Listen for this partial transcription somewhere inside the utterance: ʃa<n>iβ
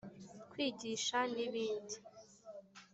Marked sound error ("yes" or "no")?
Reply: no